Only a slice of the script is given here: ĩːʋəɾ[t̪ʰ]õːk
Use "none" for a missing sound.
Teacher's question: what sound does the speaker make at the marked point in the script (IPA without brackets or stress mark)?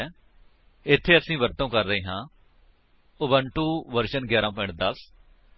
t̪